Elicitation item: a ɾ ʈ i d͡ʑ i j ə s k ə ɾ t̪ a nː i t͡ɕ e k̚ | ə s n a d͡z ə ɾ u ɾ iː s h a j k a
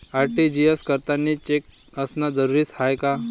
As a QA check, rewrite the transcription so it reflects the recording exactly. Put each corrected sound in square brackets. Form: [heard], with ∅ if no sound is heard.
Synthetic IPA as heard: a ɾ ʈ i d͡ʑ i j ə s k ə ɾ t̪ a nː i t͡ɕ e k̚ | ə s n a d͡z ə ɾ u ɾ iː s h a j k a